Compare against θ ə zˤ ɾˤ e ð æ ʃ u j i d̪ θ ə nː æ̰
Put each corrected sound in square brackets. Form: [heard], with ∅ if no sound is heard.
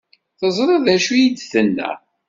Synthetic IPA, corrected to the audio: θ ə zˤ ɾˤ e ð æ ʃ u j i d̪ θ ə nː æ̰